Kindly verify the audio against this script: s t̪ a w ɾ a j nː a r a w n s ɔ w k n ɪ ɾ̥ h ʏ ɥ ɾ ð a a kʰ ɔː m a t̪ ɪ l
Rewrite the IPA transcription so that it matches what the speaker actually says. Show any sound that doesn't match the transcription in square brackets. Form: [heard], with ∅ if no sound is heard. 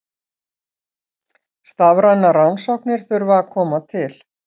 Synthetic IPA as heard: s t̪ a [v] ɾ a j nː a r a w n s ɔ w k n ɪ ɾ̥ [θ] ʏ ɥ ɾ [v] a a kʰ ɔː m a [t̪ʰ] ɪ l